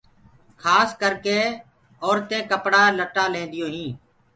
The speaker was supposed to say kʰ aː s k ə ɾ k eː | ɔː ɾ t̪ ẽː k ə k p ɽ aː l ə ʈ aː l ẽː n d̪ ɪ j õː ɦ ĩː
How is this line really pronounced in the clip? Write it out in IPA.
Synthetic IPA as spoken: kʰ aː s k ə ɾ k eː | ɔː ɾ t̪ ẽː k ə p ɽ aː l ə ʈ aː l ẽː n d̪ ɪ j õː ɦ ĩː